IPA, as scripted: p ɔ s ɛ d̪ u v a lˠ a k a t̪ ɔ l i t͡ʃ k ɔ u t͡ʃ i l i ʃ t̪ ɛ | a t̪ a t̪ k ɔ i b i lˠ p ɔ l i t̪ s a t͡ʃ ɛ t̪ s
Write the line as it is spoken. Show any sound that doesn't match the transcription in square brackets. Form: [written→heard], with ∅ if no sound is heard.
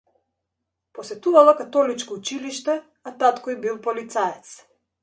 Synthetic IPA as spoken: p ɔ s ɛ [d̪→t̪] u v a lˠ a k a t̪ ɔ l i t͡ʃ k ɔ u t͡ʃ i l i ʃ t̪ ɛ | a t̪ a t̪ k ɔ i b i lˠ p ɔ l i t̪ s a [t͡ʃ→∅] ɛ t̪ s

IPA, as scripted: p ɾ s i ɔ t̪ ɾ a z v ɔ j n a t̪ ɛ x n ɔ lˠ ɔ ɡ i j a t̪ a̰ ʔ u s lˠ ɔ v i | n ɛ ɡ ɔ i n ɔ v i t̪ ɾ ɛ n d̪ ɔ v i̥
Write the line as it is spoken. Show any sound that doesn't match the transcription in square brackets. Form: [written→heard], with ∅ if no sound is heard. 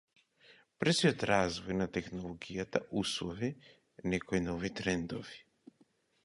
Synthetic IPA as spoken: p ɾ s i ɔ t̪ ɾ a z v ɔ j n a t̪ ɛ x n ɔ lˠ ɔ ɡ i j a t̪ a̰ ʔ u s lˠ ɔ v i | n ɛ [ɡ→k] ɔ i n ɔ v i t̪ ɾ ɛ n d̪ ɔ v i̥

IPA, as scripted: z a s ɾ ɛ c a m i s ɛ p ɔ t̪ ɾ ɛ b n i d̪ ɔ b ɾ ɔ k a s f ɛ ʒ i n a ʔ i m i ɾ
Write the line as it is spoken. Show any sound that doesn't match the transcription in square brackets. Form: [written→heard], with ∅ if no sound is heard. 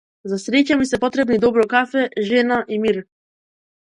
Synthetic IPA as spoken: z a s ɾ ɛ c a m i s ɛ p ɔ t̪ ɾ ɛ b n i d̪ ɔ b ɾ ɔ k a [s→∅] f ɛ ʒ [i→ɛ] n a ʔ i m i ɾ

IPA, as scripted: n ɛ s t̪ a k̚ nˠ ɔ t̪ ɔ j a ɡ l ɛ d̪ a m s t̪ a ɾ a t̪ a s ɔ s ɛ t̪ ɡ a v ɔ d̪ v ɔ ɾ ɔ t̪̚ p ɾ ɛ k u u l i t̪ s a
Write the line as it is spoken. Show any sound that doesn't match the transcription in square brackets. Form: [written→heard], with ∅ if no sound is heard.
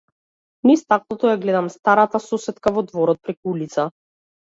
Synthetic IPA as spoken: n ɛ s t̪ a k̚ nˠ ɔ t̪ ɔ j a ɡ l ɛ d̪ a m s t̪ a ɾ a t̪ a s ɔ s ɛ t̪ [ɡ→k] a v ɔ d̪ v ɔ ɾ ɔ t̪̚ p ɾ ɛ k u u l i t̪ s a

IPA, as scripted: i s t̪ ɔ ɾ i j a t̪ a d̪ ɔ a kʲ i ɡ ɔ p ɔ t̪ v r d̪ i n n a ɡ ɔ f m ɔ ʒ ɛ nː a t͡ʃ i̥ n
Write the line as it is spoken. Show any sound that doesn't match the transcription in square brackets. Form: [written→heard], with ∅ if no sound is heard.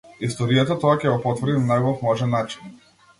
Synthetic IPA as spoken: i s t̪ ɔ ɾ i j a t̪ a [d̪→t̪] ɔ a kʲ [i→ɛ] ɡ ɔ p ɔ t̪ v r d̪ i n n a ɡ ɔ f m ɔ ʒ ɛ nː a t͡ʃ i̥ n

